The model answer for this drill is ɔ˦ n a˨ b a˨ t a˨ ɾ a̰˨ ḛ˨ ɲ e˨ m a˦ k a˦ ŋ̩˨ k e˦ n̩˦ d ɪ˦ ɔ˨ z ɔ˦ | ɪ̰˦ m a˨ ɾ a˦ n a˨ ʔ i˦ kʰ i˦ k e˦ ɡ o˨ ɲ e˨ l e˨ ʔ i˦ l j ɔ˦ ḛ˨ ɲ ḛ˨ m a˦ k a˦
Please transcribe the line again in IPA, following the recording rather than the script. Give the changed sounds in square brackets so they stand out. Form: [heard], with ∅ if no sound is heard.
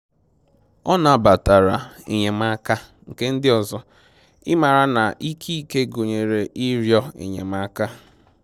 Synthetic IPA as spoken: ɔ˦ n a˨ b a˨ t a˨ ɾ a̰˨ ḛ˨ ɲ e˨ m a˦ k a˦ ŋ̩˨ k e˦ n̩˦ d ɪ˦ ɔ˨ z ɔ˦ | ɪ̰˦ m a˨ ɾ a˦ n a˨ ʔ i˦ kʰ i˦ k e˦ ɡ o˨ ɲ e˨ [ɾ] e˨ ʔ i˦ [ɾ] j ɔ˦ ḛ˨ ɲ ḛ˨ m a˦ k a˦